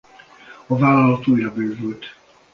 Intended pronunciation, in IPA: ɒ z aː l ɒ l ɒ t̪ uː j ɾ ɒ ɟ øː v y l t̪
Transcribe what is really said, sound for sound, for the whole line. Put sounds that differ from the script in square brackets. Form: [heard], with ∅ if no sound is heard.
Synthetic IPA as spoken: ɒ [v] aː l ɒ l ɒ t̪ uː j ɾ ɒ [b] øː v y l t̪

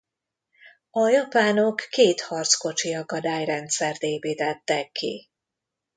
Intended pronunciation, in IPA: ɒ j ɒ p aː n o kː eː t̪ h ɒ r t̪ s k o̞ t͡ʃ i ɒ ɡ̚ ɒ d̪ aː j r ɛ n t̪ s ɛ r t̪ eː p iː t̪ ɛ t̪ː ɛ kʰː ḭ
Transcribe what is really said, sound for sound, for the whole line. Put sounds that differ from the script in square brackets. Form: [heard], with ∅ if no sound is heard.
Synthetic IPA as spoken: ɒ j ɒ p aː n o kː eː t̪ h ɒ r t̪ s k o̞ t͡ʃ i ɒ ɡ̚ ɒ d̪ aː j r ɛ n t̪ s ɛ r t̪ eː p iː t̪ ɛ t̪ː ɛ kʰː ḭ

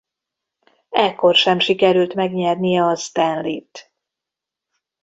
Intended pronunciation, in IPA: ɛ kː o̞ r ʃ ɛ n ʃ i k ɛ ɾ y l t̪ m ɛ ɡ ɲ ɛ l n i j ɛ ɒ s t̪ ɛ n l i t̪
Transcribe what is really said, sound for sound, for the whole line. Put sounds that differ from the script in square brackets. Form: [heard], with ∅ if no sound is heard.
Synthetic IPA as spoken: ɛ kː o̞ r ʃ ɛ [m] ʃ i k ɛ ɾ y l t̪ m ɛ ɡ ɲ ɛ [r] n i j ɛ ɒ s t̪ ɛ n l i t̪

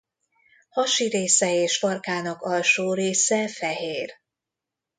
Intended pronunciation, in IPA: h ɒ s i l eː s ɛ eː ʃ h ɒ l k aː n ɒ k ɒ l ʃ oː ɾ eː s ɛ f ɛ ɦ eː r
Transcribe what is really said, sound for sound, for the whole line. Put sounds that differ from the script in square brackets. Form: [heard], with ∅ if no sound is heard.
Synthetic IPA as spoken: h ɒ [ʃ] i [ɾ] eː s ɛ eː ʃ [f] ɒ [r] k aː n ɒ k ɒ l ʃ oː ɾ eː s ɛ f ɛ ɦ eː r

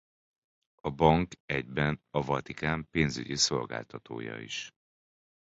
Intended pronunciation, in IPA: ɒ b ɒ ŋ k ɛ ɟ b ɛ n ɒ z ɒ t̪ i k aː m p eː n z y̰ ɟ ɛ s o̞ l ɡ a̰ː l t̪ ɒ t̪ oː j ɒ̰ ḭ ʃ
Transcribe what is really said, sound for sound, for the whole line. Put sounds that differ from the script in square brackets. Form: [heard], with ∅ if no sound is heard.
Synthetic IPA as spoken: ɒ b ɒ ŋ k ɛ ɟ b ɛ n ɒ [v] ɒ t̪ i k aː m p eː n z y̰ ɟ [i] s o̞ l ɡ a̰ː l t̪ ɒ t̪ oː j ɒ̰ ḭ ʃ

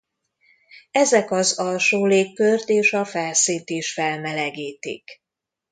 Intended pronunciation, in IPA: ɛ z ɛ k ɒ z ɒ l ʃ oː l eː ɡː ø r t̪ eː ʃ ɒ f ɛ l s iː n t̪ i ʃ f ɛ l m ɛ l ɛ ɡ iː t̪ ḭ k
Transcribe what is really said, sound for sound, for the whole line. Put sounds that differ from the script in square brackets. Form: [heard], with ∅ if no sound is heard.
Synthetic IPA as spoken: ɛ z ɛ k ɒ z ɒ l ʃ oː l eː [kː] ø r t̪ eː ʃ ɒ f ɛ l s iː n t̪ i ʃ f ɛ l m ɛ l ɛ ɡ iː t̪ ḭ k

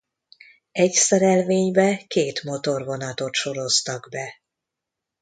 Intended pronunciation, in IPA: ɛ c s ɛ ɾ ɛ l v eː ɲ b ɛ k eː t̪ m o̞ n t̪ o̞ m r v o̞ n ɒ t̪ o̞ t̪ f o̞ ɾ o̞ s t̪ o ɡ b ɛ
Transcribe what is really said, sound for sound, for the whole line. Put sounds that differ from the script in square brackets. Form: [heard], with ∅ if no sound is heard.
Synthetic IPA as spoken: ɛ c s ɛ ɾ ɛ l v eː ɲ b ɛ k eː t̪ m o̞ [∅] t̪ o̞ [∅] r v o̞ n ɒ t̪ o̞ t̪ [ʃ] o̞ ɾ o̞ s t̪ [ɒ] ɡ b ɛ

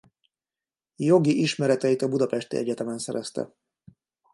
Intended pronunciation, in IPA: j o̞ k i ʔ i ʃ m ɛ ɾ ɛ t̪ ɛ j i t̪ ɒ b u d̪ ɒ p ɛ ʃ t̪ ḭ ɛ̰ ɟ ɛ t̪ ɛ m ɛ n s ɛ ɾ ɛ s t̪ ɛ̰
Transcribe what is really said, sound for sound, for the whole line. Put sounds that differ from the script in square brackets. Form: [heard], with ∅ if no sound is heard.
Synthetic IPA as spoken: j o̞ [ɡ] i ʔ i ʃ m ɛ ɾ ɛ t̪ ɛ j i t̪ ɒ b u d̪ ɒ p ɛ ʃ t̪ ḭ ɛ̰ ɟ ɛ t̪ ɛ m ɛ n s ɛ ɾ ɛ s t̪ ɛ̰

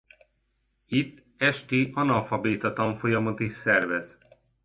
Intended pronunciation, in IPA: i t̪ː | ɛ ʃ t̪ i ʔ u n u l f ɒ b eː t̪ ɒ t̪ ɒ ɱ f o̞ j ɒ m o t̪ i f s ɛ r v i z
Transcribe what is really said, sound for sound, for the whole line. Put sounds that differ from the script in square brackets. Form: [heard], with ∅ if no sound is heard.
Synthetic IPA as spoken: i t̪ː | ɛ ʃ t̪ i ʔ [ɒ] n [ɒ] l f ɒ b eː t̪ ɒ t̪ ɒ ɱ f o̞ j ɒ m o t̪ i [ʃ] s ɛ r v [ɛ] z

